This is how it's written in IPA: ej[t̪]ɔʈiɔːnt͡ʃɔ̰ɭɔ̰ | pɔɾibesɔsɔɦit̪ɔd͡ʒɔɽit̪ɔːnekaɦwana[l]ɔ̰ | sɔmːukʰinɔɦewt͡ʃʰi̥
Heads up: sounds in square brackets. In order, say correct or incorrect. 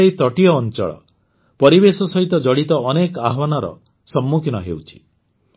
correct, incorrect: ɾ

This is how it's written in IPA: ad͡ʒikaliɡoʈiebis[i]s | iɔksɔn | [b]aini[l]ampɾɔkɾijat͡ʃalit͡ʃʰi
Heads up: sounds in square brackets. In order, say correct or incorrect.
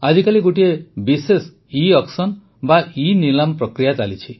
incorrect: e, correct, correct

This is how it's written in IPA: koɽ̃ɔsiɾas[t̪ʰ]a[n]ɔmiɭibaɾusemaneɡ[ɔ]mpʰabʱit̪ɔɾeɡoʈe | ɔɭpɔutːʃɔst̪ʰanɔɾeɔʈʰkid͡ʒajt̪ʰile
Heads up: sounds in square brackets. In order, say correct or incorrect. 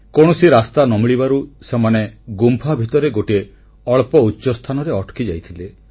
incorrect: t̪, correct, incorrect: u

